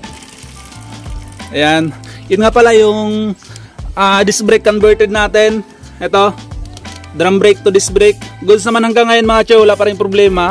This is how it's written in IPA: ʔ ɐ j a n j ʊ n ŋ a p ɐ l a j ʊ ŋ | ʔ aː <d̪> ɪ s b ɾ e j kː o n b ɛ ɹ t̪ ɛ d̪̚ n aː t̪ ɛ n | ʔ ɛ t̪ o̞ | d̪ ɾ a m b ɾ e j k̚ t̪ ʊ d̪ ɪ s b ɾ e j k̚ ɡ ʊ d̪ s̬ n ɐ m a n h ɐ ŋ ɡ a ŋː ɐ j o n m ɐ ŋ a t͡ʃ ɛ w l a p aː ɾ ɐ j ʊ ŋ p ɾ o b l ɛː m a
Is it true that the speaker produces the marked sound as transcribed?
yes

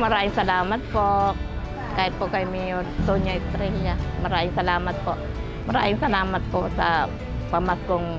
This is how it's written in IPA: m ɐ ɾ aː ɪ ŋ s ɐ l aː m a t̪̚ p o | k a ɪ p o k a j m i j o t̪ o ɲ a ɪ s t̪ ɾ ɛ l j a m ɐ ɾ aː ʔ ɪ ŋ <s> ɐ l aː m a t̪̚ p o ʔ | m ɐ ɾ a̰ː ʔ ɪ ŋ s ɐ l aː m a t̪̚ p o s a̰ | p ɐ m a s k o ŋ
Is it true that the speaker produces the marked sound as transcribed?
yes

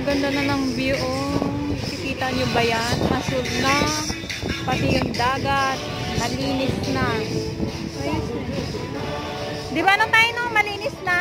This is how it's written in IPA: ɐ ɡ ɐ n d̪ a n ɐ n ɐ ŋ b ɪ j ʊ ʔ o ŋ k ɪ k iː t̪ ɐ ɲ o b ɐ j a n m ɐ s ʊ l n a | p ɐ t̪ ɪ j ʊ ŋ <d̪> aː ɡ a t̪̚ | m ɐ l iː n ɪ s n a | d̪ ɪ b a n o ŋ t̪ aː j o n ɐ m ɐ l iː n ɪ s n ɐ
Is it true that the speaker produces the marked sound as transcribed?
yes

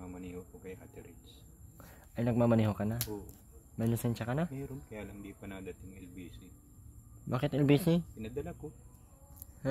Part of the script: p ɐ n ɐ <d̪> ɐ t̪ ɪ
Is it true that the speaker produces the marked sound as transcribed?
yes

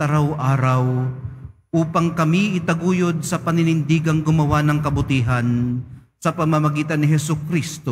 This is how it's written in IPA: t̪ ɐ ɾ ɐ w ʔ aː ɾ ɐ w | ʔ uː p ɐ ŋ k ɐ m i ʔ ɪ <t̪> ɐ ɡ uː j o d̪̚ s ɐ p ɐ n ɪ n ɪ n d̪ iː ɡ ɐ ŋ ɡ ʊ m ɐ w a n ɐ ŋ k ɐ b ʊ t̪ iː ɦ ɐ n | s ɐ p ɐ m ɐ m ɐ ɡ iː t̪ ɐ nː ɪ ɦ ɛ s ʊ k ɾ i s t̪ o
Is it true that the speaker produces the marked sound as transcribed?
yes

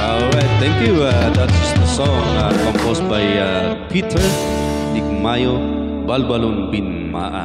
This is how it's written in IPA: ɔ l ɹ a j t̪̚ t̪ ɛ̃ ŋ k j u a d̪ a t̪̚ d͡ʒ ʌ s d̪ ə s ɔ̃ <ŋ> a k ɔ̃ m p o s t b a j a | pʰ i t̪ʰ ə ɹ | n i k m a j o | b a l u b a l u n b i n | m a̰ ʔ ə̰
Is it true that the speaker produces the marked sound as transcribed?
yes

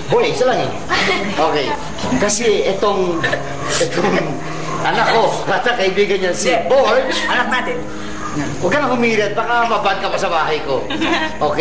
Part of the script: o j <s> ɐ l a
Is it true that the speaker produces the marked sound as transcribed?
yes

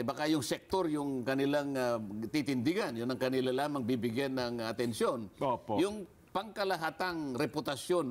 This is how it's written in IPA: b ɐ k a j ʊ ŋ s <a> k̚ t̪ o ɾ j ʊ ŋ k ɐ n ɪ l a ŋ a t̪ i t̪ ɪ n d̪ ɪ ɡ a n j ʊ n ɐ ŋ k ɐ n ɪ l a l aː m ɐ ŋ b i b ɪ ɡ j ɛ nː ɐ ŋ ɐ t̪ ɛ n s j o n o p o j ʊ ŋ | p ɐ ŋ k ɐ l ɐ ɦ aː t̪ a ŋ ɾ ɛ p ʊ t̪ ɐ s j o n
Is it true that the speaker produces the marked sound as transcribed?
no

